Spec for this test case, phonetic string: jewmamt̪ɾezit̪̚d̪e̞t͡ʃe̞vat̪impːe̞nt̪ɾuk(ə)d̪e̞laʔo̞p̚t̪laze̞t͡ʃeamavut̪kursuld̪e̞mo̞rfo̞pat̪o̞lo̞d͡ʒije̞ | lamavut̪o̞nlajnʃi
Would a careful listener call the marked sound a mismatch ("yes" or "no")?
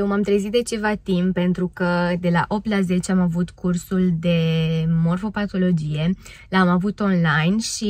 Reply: no